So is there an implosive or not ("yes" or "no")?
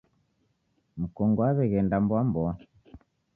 no